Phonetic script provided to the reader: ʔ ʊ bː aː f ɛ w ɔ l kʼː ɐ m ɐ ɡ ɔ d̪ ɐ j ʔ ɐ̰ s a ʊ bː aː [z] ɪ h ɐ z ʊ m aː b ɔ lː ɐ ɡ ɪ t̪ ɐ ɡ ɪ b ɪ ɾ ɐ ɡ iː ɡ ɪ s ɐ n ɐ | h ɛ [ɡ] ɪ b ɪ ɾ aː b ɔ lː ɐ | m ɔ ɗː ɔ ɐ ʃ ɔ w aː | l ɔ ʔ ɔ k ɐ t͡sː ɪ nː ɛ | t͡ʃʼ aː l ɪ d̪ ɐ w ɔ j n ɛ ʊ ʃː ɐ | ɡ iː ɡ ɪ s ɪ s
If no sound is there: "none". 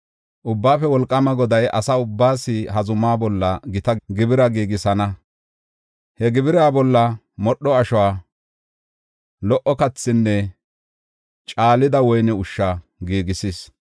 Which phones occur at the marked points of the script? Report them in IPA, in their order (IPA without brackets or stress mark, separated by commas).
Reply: s, ɡ